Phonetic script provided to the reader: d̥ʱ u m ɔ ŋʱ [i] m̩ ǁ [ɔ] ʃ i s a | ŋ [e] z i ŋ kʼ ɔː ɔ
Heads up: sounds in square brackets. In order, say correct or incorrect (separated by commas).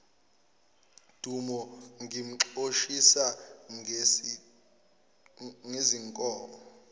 correct, incorrect, correct